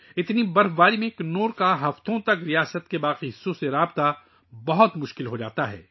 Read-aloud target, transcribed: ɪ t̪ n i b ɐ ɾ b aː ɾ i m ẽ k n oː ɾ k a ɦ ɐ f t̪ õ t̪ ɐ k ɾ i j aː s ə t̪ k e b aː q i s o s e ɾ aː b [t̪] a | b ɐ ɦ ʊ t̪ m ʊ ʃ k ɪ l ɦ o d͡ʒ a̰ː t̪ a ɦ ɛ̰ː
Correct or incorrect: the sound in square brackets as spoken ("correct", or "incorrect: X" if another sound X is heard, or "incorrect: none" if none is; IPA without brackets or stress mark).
correct